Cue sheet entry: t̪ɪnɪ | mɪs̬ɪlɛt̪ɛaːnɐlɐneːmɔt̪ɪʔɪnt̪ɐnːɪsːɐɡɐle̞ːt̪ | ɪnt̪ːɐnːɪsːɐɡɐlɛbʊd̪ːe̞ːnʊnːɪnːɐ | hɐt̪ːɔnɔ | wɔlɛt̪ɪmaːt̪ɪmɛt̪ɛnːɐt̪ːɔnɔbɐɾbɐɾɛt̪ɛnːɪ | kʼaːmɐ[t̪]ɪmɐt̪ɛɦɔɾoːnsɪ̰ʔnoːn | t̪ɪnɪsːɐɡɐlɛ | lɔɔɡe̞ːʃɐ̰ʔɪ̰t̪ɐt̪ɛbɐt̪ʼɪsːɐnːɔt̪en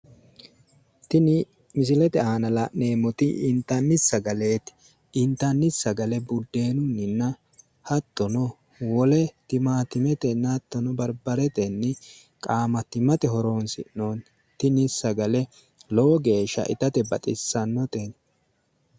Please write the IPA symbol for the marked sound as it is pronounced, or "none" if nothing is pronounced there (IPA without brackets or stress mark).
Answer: t̪